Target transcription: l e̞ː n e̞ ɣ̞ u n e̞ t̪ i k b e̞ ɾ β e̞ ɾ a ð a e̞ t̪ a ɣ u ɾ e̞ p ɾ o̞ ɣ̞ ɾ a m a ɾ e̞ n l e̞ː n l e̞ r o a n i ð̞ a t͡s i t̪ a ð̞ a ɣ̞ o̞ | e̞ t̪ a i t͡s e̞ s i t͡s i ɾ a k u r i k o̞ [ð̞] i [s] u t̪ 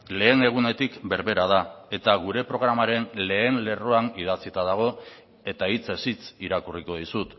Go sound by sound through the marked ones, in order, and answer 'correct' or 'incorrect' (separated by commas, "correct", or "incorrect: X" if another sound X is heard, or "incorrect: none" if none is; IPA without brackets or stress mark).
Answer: correct, correct